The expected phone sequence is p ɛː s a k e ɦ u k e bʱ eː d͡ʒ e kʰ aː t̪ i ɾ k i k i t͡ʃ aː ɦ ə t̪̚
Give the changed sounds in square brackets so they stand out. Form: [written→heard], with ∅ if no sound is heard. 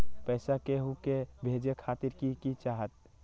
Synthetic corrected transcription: p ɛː s a k e ɦ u k e bʱ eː d͡ʒ e kʰ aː t̪ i ɾ k i k i t͡ʃ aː ɦ ə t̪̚

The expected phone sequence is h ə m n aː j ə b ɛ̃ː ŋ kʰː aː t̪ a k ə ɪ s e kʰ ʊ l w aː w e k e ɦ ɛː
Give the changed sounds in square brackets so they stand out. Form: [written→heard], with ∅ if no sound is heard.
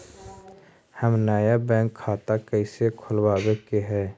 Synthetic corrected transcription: h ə m n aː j [ə→a] b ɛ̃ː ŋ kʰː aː t̪ a k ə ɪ s e kʰ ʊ l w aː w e k e ɦ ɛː

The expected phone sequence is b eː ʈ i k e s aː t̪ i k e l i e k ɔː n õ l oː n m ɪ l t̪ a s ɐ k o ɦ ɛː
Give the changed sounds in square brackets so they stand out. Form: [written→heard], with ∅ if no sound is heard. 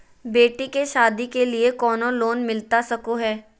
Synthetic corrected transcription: b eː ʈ i k e [s→ʃ] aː [t̪→d̪] i k e l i e k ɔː n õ l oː n m ɪ l t̪ a s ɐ k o ɦ ɛː

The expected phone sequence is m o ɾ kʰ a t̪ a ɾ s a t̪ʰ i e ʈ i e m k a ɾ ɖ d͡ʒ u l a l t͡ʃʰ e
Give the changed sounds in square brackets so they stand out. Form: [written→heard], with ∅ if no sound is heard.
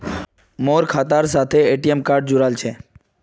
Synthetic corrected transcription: m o ɾ kʰ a t̪ a ɾ s a t̪ʰ [i→e] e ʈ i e m k a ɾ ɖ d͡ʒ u [l→ɾ] a l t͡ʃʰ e

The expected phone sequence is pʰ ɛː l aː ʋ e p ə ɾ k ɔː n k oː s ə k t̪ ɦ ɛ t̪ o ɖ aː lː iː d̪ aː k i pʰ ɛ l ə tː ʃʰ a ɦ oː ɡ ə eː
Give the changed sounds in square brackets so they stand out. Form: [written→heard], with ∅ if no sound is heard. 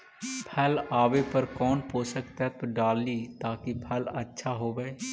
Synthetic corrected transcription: pʰ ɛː l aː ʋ e p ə ɾ k ɔː n [k→p] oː s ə k t̪ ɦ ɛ t̪ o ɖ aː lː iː [d̪→t̪] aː k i pʰ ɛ l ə tː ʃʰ a ɦ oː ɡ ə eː

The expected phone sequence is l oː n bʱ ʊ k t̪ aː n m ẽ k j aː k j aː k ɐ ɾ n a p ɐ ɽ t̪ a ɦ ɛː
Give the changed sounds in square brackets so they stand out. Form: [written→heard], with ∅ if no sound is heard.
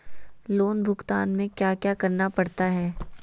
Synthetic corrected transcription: l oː n bʱ ʊ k t̪ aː n m ẽ k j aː k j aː k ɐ ɾ n a p ɐ ɽ t̪ a ɦ ɛː

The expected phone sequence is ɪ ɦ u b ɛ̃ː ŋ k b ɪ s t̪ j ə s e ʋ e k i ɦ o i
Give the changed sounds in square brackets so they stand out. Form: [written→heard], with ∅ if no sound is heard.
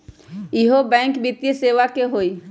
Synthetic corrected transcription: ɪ ɦ [u→o] b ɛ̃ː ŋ k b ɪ [s→∅] t̪ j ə s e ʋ [e→a] k [i→e] ɦ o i

